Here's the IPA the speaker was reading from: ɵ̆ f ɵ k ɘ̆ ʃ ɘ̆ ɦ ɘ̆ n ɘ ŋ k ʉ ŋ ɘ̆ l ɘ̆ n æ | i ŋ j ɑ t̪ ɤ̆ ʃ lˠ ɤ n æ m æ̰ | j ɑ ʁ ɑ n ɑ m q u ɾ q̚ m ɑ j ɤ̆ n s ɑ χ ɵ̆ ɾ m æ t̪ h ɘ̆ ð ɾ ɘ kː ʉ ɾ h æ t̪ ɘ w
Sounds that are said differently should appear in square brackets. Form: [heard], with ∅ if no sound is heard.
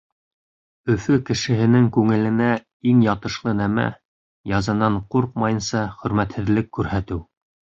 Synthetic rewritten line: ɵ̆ f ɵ k ɘ̆ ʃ ɘ̆ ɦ ɘ̆ n ɘ ŋ k ʉ ŋ ɘ̆ l ɘ̆ n æ | i ŋ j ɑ t̪ ɤ̆ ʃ lˠ ɤ n æ m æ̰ | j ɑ [z] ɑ n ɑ [ɴ] q u ɾ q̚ m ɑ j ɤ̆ n s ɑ χ ɵ̆ ɾ m æ t̪ h ɘ̆ ð [l] ɘ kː ʉ ɾ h æ t̪ ɘ w